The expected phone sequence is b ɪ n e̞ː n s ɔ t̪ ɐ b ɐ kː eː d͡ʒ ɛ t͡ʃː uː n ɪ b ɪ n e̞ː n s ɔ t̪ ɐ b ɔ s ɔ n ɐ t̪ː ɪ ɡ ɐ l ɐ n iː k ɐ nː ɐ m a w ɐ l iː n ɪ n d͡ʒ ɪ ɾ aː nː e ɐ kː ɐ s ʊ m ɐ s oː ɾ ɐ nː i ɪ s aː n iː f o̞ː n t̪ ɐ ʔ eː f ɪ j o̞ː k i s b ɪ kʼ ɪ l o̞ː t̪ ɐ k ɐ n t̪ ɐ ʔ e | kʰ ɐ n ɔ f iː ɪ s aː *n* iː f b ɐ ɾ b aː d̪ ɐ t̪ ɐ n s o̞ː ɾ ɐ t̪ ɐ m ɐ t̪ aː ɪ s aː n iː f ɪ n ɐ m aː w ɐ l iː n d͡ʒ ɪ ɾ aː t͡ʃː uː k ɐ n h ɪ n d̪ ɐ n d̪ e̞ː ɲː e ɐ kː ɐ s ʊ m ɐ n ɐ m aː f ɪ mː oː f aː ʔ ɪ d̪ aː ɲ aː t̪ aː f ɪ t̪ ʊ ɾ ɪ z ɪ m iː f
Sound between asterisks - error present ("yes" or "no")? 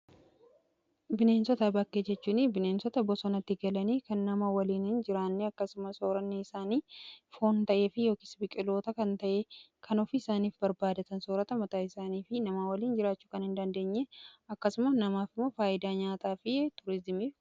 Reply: no